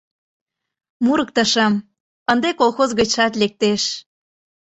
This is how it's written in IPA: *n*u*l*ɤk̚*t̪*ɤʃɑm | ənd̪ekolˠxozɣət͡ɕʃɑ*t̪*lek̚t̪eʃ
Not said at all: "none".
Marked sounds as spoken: m, ɾ, t̪, t̪

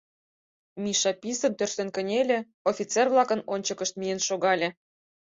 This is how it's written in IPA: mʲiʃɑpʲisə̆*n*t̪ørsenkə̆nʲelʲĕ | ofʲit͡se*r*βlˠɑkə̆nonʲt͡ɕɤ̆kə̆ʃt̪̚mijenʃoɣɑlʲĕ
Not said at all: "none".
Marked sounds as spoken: n, r

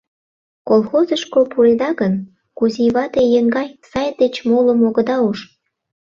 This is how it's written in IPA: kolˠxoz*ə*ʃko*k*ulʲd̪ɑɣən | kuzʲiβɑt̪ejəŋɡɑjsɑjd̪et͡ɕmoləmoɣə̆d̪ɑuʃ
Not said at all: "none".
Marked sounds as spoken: ə, p

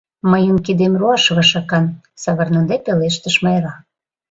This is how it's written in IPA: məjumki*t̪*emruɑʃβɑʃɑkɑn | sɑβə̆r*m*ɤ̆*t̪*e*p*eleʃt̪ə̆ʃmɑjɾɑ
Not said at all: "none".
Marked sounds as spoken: d̪, n, d̪, p

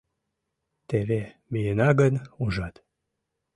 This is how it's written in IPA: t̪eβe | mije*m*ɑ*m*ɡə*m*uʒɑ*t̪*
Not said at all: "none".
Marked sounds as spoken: n, none, n, t̪

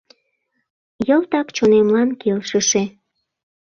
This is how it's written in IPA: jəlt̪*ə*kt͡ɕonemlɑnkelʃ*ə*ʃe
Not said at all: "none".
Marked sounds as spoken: ɑ, ə

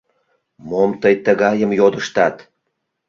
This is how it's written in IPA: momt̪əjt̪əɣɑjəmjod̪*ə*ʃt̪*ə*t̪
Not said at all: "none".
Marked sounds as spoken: ə, ɑ

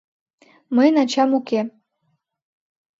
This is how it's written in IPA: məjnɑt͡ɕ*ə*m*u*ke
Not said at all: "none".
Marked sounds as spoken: ɑ, u

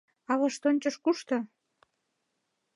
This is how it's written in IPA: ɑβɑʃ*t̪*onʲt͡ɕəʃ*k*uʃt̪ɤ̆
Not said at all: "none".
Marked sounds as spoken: t̪, k

